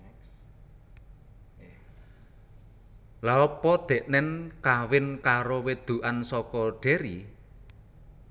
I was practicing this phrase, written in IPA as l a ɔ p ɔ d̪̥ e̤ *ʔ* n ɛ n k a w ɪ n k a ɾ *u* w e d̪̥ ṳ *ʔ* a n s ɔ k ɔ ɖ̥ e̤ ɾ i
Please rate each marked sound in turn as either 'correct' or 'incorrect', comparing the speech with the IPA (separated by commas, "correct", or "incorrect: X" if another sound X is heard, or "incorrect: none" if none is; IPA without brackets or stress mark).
correct, incorrect: o, correct